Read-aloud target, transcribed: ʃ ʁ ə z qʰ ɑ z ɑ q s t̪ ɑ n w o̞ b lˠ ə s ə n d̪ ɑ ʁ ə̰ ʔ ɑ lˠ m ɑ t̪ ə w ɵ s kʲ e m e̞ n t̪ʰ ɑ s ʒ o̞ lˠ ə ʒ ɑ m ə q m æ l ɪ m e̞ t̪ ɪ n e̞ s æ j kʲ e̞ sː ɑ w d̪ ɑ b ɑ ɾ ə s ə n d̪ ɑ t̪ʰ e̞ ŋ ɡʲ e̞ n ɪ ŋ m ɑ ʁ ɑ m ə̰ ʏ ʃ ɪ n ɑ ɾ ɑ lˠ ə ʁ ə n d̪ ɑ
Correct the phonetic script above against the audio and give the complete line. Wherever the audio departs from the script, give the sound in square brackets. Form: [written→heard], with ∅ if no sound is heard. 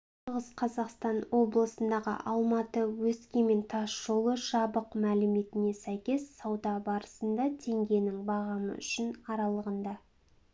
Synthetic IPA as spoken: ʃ ʁ ə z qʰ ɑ z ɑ q s t̪ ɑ n w o̞ b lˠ ə s ə n d̪ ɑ ʁ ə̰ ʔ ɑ lˠ m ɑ t̪ ə w ɵ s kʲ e m e̞ n t̪ʰ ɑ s ʒ o̞ lˠ ə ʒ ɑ [m→b] ə q m æ l ɪ m e̞ t̪ ɪ n e̞ s æ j kʲ e̞ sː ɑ w d̪ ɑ b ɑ ɾ ə s ə n d̪ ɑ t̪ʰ e̞ ŋ ɡʲ e̞ n ɪ ŋ [m→b] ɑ ʁ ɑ m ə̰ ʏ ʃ ɪ n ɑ ɾ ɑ lˠ ə ʁ ə n d̪ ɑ